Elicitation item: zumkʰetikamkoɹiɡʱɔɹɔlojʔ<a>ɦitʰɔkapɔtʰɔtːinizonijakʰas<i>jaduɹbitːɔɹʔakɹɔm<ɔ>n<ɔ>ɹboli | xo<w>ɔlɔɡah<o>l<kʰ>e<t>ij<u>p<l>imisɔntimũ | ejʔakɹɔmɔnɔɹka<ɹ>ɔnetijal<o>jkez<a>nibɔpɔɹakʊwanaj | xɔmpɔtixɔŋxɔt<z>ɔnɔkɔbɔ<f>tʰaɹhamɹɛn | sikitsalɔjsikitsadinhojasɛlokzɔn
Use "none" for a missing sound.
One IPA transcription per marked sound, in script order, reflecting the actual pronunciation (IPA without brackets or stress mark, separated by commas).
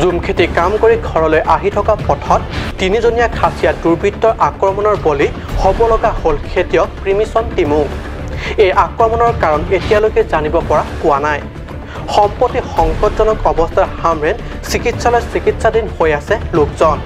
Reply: a, i, ɔ, ɔ, b, o, kʰ, t, ɔ, ɹ, ɹ, o, a, z, s